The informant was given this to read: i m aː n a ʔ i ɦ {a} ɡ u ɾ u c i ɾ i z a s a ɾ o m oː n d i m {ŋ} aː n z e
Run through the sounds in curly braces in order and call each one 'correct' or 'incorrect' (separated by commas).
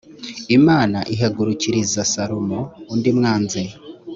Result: correct, correct